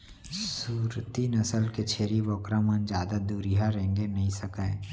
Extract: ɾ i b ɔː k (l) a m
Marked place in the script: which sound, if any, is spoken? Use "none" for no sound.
ɾ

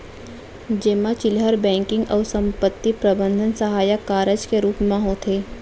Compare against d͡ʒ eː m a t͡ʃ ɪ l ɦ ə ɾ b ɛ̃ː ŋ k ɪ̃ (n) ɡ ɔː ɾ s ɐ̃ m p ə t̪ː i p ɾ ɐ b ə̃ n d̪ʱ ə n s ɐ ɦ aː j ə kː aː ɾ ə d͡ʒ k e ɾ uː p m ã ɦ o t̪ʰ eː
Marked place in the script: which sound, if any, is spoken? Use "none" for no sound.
ŋ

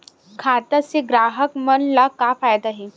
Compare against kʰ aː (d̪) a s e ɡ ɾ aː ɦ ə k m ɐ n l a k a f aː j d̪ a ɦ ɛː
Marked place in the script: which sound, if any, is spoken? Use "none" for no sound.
t̪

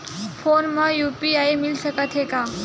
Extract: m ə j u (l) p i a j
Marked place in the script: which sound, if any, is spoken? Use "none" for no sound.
none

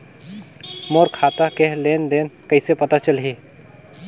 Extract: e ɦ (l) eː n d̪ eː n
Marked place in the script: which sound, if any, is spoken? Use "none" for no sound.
l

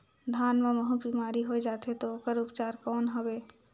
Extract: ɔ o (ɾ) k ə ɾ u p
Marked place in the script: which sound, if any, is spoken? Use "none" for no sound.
none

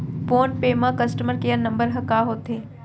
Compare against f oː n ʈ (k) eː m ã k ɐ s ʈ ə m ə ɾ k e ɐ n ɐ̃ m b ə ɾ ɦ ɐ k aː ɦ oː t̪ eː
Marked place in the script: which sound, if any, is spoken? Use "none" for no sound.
p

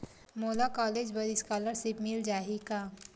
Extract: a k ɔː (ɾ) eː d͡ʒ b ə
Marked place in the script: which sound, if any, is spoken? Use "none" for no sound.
l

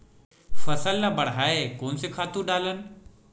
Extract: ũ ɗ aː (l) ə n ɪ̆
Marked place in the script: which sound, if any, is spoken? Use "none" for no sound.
l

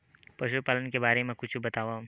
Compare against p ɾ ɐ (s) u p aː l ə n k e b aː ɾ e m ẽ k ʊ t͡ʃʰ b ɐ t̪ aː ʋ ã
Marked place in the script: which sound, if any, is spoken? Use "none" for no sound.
ʃ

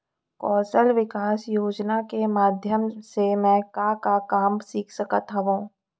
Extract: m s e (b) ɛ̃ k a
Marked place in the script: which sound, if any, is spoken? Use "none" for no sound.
m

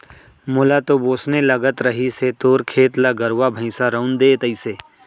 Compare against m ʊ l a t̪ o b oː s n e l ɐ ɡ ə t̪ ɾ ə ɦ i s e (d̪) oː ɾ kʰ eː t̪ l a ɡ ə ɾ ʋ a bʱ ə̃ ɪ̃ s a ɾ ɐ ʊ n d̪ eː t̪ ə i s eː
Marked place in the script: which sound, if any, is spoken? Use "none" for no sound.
t̪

